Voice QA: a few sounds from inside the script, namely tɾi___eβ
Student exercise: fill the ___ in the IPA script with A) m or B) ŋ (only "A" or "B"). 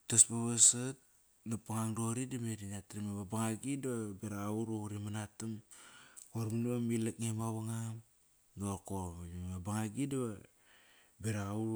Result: A